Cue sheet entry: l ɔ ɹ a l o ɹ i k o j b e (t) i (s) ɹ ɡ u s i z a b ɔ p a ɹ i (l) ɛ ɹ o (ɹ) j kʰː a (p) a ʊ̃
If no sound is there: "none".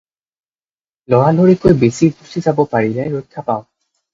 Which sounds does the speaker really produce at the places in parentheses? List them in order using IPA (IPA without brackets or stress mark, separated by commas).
s, none, l, none, p